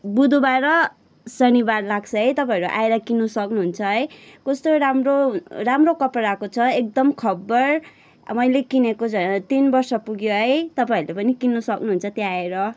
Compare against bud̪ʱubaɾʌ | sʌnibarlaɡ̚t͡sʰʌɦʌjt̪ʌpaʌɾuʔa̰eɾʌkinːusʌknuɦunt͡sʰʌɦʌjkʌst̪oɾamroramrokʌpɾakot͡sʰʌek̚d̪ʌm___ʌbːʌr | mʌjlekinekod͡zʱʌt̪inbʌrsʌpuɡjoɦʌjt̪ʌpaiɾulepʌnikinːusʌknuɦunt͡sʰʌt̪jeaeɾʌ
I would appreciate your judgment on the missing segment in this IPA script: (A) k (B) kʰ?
B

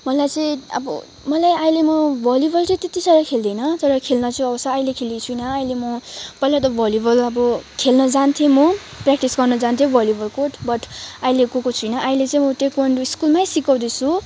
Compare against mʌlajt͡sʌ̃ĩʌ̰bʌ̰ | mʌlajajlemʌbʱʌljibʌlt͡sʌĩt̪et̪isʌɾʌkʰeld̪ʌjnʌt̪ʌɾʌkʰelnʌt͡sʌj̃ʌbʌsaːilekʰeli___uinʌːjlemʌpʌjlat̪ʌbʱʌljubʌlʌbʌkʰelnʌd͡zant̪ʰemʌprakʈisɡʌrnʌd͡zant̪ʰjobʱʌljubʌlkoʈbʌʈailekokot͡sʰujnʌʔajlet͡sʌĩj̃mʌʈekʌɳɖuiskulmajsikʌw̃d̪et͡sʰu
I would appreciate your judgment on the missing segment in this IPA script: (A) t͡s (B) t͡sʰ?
B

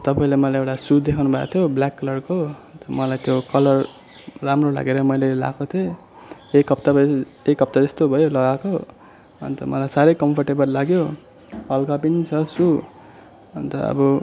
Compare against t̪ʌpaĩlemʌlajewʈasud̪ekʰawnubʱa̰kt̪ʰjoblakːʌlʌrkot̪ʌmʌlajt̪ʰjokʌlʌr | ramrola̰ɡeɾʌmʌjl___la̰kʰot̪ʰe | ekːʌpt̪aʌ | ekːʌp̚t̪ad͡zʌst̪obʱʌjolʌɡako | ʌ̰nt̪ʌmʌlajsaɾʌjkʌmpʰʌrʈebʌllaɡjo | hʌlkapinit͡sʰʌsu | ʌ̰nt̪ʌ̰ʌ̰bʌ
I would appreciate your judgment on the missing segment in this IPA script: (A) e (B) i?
A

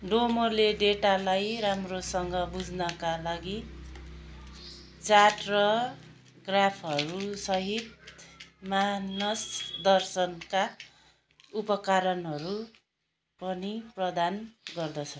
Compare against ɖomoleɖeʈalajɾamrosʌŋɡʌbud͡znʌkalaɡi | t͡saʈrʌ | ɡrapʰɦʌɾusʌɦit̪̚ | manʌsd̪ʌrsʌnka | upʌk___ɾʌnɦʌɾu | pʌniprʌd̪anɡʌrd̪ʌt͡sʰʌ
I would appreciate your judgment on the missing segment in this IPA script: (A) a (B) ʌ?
A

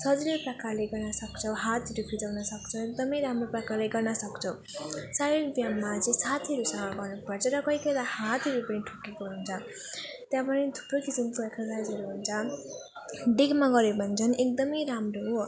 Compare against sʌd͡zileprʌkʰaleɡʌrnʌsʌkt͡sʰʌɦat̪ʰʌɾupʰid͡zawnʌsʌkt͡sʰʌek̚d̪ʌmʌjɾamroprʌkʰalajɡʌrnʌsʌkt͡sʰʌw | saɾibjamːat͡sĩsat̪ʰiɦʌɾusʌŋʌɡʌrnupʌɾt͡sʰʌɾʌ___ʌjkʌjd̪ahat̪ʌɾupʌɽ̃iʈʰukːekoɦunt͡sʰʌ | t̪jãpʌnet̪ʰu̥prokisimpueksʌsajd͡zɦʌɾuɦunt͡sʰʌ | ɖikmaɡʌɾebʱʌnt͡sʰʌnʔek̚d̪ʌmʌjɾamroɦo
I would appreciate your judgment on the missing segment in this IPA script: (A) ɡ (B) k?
B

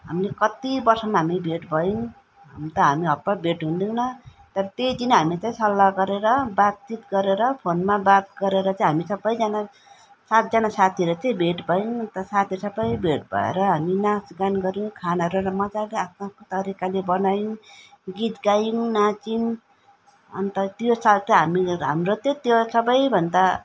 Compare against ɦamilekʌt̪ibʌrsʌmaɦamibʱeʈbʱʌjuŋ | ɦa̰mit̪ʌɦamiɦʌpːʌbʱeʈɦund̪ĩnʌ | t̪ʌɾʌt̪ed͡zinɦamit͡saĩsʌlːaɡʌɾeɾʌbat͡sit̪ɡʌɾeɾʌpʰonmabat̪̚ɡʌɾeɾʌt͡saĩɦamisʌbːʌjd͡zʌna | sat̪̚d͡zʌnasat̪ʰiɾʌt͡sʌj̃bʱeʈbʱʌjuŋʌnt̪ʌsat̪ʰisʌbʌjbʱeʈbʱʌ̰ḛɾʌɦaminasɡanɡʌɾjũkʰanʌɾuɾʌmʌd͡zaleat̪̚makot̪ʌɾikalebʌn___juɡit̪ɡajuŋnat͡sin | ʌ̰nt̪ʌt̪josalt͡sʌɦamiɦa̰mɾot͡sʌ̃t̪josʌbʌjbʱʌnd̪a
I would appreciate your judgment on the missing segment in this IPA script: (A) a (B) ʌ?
A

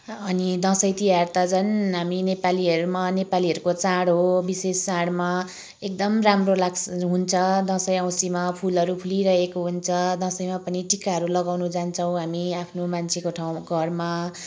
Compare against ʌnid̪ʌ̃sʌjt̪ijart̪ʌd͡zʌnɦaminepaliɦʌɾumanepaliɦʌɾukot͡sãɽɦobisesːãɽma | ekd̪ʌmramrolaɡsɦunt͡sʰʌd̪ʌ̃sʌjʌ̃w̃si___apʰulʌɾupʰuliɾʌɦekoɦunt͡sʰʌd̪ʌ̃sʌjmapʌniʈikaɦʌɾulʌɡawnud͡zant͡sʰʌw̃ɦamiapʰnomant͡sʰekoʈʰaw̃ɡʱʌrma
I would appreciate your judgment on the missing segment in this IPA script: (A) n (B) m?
B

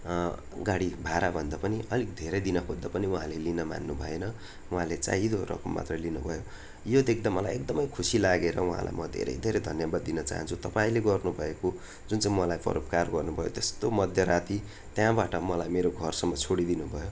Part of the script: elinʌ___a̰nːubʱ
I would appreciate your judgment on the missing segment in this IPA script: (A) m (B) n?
A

